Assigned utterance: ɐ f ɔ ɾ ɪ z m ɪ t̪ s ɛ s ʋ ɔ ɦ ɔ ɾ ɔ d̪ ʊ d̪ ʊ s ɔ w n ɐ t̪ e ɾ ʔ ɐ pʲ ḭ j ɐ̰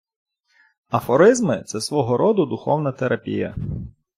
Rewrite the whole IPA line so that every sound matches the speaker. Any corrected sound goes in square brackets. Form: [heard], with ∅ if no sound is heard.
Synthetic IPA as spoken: ɐ f ɔ ɾ ɪ z m ɪ t̪ s ɛ s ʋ ɔ ɦ ɔ ɾ ɔ d̪ ʊ d̪ ʊ [x] ɔ w n ɐ t̪ e ɾ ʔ ɐ pʲ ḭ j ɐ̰